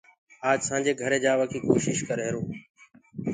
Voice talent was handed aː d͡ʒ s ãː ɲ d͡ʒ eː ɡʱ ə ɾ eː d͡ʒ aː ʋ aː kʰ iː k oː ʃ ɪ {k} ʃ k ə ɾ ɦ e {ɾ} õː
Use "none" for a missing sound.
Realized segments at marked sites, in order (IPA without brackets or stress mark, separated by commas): none, ɾ